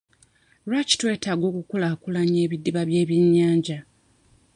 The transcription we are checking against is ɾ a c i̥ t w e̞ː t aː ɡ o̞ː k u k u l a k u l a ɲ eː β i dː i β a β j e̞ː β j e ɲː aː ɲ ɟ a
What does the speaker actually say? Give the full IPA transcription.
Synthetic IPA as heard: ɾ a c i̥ t w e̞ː t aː ɡ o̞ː k u k u l a k u l a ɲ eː β i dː i β a β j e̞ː β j e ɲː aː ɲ ɟ a